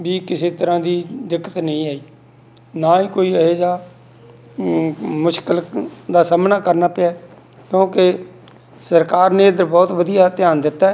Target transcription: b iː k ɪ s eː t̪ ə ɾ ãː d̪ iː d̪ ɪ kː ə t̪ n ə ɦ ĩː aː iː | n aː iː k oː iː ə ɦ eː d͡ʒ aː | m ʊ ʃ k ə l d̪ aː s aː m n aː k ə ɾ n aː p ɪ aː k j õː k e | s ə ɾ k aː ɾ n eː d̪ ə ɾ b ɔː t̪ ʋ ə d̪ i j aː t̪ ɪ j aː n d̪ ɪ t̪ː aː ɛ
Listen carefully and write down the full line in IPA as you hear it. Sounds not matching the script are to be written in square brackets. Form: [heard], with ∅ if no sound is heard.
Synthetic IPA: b iː k ɪ s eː t̪ ə ɾ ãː d̪ iː d̪ ɪ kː ə t̪ n ə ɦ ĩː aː iː | n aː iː k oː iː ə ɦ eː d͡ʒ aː | m ʊ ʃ k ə l d̪ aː s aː m n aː k ə ɾ n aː p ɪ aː k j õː k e | s ə ɾ k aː ɾ n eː d̪ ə ɾ b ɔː t̪ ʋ ə d̪ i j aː t̪ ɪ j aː n d̪ ɪ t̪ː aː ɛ